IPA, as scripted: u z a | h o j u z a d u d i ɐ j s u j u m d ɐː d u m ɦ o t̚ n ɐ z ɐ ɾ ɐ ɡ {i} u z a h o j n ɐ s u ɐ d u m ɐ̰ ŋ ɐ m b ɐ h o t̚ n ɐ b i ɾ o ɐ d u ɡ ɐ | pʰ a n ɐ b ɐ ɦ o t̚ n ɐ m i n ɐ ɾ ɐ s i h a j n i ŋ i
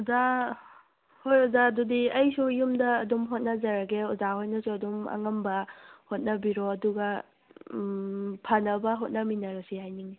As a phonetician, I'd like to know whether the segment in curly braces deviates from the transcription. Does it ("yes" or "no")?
yes